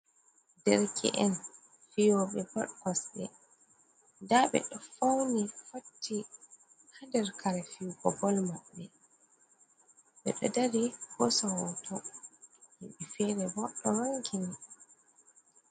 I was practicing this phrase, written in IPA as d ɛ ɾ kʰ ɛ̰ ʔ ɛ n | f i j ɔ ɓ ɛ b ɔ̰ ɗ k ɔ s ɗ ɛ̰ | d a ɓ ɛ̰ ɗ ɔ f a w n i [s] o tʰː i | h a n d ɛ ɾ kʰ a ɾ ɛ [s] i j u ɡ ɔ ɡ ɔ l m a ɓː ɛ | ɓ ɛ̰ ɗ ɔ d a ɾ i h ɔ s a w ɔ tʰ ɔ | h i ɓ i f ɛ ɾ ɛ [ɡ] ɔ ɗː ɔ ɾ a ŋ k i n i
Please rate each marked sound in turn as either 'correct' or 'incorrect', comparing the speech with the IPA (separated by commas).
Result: incorrect, incorrect, incorrect